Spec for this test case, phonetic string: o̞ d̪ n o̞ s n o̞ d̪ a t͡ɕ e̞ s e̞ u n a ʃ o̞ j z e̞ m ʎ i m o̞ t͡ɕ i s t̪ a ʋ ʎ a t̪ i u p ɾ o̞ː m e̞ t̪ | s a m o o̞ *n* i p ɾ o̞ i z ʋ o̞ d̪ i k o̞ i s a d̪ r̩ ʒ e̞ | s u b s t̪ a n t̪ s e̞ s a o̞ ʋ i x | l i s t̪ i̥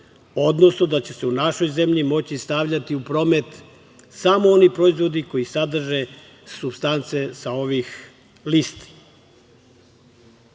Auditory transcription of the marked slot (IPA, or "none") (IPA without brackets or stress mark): n